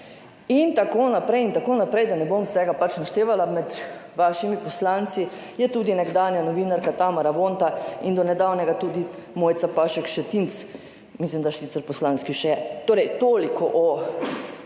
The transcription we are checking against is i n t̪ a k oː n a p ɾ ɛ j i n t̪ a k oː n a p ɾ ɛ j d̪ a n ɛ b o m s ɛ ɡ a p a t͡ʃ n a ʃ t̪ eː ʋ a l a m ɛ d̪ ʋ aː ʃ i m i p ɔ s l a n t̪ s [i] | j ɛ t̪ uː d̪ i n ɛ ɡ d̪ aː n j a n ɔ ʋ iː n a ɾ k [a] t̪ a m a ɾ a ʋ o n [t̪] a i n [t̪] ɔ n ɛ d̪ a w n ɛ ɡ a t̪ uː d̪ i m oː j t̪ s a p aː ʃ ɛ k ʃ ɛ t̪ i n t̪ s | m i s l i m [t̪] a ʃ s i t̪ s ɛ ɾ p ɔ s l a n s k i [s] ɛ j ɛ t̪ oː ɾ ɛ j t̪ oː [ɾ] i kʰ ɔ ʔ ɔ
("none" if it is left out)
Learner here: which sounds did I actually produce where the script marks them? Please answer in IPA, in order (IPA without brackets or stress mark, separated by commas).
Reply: i, a, t̪, d̪, d̪, ʃ, l